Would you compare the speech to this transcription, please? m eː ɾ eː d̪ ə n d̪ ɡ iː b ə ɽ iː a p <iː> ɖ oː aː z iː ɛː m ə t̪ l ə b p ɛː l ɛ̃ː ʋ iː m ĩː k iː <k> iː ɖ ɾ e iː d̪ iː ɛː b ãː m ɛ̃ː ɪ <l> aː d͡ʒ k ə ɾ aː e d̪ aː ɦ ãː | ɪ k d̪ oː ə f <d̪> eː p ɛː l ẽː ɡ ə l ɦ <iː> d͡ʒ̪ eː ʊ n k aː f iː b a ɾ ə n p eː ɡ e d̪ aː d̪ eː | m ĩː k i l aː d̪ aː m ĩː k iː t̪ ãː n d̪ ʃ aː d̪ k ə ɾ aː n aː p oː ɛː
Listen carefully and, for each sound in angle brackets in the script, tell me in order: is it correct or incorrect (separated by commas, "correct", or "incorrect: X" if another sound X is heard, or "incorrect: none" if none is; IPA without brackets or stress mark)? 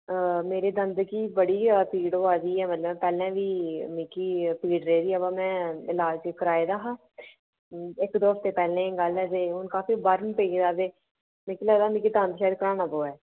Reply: correct, incorrect: p, correct, incorrect: t̪, incorrect: ɛː